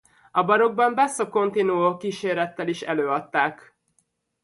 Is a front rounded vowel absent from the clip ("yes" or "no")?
no